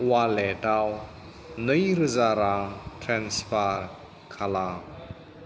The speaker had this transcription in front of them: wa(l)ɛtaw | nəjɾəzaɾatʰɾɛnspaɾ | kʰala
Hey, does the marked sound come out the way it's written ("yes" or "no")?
yes